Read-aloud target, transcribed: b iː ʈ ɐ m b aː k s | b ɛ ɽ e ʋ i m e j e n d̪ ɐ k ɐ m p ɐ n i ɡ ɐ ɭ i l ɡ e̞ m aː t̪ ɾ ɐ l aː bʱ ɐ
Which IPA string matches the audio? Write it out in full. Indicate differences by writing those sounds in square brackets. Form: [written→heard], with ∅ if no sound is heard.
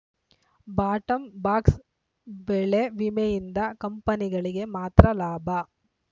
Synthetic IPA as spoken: b [iː→aː] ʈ ɐ m b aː k s | b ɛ [ɽ→ɭ] e ʋ i m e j [e→i] n d̪ ɐ k ɐ m p ɐ n i ɡ ɐ ɭ i [l→∅] ɡ e̞ m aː t̪ ɾ ɐ l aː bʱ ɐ